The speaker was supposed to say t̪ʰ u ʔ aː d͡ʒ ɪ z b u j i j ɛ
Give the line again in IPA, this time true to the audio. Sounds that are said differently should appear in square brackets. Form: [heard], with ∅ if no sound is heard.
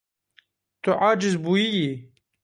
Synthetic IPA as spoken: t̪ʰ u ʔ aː d͡ʒ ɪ z b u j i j [i]